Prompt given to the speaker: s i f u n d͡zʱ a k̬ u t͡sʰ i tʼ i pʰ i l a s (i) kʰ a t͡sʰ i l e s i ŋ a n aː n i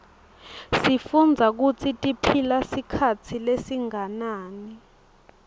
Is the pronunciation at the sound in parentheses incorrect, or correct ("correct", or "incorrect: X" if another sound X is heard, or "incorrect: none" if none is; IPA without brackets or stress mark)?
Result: correct